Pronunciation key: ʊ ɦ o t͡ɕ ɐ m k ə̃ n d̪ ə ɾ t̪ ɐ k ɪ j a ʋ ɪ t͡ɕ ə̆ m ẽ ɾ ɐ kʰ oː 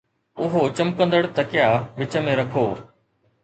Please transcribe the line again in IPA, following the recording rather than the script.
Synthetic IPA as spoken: ʊ ɦ o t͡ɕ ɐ m k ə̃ n d̪ ə ɽ t̪ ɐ k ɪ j a ʋ ɪ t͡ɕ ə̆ m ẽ ɾ ɐ kʰ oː